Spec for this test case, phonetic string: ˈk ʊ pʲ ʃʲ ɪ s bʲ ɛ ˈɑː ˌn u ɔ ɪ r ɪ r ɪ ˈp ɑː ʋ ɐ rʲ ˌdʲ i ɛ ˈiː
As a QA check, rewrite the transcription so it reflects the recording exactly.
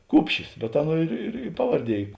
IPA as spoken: ˈk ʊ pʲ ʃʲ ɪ s bʲ ɛ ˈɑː ˌn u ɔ ɪ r ɪ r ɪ ˈp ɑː ʋ ɐ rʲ ˌdʲ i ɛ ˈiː